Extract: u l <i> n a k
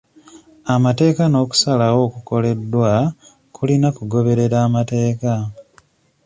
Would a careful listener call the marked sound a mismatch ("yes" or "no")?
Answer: no